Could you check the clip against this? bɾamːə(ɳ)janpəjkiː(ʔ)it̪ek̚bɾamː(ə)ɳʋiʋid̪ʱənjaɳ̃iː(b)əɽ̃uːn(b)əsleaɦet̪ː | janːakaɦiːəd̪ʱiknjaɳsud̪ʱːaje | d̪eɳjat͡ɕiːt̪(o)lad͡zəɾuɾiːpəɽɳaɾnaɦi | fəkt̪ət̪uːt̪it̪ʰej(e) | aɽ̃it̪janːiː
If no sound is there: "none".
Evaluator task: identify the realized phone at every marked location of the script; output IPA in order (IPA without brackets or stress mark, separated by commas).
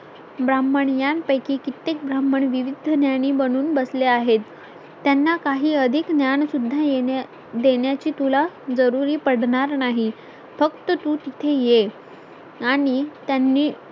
ɳ, k, ə, b, b, u, e